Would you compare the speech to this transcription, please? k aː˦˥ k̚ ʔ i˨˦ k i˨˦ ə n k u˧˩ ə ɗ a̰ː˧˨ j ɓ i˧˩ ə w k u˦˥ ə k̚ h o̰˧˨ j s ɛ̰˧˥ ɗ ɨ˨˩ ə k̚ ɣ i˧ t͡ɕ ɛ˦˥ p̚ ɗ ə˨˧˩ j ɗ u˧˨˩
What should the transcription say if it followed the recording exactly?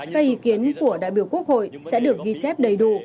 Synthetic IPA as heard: k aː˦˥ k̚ ʔ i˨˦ k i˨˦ ə n k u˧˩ ə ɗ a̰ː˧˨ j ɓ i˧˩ ə w k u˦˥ ə k̚ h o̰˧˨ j s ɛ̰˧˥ ɗ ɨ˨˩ ə k̚ ɣ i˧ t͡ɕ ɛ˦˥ p̚ ɗ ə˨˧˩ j ɗ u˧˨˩